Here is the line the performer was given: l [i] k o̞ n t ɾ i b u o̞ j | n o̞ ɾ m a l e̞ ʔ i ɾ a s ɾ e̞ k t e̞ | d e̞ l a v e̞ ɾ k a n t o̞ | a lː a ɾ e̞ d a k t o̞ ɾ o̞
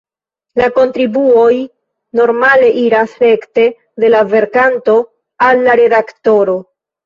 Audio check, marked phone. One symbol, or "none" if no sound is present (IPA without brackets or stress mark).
a